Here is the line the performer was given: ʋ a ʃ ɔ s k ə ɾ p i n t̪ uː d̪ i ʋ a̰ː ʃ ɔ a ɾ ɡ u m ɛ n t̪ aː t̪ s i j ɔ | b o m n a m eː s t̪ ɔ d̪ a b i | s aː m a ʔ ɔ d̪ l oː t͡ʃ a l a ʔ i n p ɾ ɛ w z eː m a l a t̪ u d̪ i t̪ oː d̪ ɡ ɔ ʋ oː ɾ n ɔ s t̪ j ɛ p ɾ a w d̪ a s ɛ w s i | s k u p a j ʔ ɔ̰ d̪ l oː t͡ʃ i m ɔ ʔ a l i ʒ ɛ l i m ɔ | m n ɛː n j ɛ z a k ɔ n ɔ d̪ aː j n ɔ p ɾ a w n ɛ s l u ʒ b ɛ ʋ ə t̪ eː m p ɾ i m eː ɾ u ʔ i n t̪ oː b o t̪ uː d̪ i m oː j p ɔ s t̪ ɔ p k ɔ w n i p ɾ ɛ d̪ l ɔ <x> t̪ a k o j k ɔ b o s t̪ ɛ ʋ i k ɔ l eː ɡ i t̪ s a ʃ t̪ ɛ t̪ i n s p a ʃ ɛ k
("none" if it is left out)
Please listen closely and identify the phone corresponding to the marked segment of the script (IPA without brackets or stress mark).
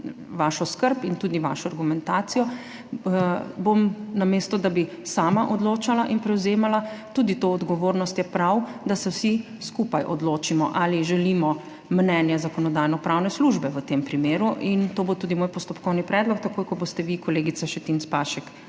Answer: k